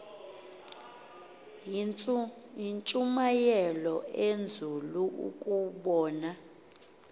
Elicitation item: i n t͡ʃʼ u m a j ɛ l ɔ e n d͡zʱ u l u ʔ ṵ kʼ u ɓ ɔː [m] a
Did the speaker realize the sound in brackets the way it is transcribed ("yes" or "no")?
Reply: no